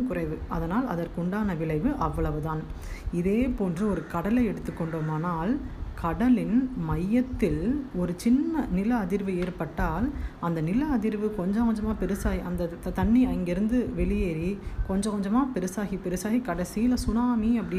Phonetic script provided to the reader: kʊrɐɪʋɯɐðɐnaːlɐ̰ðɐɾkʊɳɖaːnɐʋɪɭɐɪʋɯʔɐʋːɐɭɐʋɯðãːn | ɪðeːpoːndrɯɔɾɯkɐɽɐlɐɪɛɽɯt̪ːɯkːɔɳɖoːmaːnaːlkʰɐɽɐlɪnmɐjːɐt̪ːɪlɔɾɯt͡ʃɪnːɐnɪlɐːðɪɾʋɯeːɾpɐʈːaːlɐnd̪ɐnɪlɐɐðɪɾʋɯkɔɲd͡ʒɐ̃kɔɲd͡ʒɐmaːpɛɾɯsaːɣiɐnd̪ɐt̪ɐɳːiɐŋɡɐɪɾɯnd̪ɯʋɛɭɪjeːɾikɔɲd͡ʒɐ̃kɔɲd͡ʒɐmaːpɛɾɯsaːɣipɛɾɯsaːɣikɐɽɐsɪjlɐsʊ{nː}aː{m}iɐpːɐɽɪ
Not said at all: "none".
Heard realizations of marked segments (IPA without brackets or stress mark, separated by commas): n, m